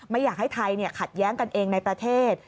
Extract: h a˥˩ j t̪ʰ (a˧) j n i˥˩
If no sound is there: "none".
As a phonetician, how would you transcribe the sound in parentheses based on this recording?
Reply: a˧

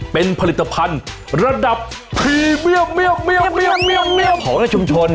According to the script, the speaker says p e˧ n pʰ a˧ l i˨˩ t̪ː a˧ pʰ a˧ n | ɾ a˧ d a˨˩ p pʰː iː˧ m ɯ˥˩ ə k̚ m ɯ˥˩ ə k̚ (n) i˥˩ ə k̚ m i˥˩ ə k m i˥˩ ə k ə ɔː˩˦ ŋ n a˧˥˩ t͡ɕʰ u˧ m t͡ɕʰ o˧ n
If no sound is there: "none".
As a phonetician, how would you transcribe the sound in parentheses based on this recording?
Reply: m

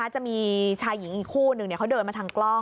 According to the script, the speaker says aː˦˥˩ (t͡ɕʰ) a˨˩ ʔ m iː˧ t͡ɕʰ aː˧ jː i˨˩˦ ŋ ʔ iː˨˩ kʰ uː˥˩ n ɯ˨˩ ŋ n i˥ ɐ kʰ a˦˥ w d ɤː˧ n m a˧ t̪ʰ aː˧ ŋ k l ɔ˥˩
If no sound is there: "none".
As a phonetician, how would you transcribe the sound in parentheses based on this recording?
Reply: t͡ɕ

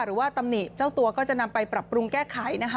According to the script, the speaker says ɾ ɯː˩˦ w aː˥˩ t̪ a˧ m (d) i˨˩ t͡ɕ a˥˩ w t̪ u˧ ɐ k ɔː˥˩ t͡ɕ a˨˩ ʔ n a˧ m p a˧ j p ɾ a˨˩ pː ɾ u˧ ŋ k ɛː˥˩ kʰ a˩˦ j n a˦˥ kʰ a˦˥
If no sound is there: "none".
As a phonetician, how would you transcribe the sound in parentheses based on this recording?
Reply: n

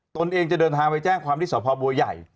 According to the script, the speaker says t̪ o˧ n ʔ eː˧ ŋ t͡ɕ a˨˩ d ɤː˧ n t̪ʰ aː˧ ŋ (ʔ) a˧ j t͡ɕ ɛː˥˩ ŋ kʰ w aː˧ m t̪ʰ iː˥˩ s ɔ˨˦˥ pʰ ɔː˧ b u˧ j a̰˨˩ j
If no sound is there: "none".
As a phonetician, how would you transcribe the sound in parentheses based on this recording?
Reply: p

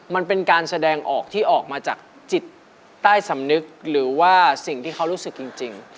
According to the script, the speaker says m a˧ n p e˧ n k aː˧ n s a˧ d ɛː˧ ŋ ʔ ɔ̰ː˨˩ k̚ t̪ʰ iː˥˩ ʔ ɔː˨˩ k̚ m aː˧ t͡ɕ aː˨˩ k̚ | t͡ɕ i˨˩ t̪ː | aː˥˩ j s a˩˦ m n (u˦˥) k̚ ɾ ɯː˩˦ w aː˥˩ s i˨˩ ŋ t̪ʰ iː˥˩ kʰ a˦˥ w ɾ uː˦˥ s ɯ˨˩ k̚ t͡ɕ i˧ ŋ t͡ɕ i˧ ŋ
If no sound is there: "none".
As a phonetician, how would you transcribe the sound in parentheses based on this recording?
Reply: ɯ˦˥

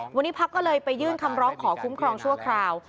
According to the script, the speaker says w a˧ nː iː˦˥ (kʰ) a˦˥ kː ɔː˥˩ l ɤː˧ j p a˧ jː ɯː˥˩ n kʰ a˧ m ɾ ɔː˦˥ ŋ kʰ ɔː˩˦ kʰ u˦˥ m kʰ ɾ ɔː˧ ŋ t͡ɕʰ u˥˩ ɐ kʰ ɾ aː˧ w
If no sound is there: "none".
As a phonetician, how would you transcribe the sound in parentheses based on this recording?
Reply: pʰ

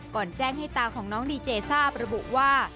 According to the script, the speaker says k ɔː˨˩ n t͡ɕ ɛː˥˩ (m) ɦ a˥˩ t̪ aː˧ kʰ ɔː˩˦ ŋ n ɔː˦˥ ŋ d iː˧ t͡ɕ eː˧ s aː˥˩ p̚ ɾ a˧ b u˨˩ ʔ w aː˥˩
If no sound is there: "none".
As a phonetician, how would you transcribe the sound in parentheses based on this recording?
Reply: ŋ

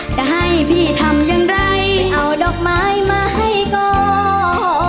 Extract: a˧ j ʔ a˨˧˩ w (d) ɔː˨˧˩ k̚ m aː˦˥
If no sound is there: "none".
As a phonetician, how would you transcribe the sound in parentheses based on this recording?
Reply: d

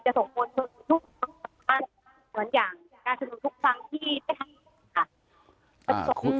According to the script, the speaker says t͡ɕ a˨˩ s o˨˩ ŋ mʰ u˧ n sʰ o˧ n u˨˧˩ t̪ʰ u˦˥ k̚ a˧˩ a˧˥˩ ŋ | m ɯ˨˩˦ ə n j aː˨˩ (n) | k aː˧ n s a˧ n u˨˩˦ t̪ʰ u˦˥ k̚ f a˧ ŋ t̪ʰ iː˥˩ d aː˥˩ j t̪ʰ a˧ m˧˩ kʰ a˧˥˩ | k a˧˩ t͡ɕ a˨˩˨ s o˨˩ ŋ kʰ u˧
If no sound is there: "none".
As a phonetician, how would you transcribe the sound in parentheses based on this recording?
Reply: ŋ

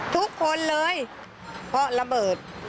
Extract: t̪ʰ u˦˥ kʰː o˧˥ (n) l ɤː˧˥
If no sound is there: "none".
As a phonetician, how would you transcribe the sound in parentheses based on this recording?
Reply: n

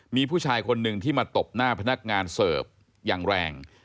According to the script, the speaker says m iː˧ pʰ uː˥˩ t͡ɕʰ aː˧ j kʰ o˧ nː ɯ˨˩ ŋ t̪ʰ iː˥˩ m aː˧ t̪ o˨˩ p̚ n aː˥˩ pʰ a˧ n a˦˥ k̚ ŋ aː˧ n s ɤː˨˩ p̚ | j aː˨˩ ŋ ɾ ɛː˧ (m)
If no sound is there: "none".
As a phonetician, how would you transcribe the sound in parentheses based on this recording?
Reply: ŋ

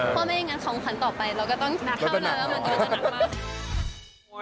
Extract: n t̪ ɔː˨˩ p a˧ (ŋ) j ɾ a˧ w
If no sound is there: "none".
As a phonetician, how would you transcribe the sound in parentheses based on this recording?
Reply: none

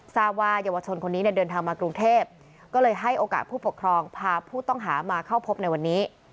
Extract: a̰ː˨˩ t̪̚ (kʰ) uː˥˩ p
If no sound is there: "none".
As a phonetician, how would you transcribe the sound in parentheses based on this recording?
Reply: pʰ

